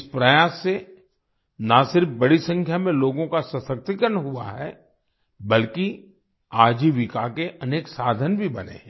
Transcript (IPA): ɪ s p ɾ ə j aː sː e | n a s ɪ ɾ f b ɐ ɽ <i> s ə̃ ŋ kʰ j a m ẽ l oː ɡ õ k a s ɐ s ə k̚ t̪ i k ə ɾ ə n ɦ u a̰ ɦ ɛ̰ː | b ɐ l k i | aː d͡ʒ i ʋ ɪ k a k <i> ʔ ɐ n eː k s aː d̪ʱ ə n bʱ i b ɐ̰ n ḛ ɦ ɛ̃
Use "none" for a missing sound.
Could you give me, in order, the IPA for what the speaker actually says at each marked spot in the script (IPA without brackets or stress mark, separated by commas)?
i, e